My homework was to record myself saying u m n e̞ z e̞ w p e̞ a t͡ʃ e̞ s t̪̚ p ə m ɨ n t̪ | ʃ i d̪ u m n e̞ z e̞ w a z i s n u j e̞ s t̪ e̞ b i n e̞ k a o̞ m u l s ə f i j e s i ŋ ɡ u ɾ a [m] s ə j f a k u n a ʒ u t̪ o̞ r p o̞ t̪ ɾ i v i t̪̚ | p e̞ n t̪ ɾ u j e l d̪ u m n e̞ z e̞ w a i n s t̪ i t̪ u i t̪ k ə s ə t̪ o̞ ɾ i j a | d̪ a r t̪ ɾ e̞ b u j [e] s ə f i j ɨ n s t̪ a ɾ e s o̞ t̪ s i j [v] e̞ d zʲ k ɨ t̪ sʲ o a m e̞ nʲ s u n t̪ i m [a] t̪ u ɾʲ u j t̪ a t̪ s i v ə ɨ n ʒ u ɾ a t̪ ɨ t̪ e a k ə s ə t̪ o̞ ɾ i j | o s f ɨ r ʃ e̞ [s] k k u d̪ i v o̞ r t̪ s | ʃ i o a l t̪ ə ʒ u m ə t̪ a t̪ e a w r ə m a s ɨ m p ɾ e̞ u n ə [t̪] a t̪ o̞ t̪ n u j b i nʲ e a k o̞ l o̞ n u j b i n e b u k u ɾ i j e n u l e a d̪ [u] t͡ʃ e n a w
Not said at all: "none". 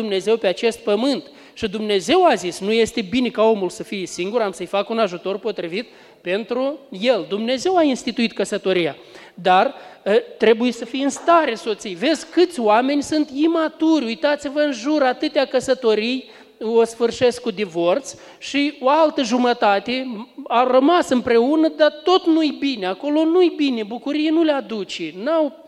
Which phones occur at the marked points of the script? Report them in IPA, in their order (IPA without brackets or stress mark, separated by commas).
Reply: m, e, v, a, s, d̪, u